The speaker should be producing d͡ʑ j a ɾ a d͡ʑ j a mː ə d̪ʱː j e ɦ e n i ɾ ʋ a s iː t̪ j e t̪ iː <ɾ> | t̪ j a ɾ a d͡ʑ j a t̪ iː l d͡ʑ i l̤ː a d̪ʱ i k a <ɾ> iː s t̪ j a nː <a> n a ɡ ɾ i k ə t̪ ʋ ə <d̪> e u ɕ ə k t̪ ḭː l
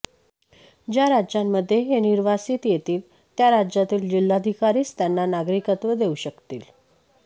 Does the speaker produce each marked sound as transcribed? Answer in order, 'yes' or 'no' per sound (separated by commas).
no, yes, yes, yes